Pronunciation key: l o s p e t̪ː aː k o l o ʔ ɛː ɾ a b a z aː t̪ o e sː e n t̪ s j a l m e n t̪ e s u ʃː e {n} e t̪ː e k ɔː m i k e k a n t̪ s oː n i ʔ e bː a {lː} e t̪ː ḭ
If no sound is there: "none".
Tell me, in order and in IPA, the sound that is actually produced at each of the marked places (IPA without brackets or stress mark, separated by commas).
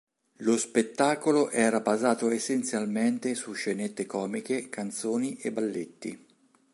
n, lː